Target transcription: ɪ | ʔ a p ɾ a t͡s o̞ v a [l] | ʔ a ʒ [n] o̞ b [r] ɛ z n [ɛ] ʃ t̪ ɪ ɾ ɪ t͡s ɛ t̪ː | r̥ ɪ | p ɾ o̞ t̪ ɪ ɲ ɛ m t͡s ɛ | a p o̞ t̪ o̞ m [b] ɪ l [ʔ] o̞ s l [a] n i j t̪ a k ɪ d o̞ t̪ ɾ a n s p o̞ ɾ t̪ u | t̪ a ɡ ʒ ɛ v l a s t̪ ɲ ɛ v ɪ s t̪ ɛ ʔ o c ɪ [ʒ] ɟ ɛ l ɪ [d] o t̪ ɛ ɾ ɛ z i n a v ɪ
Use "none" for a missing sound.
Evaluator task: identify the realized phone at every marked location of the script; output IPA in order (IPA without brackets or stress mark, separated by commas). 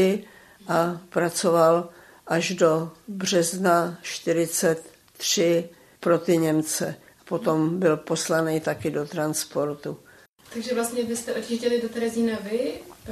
l, d, r, a, b, p, a, ʒ, d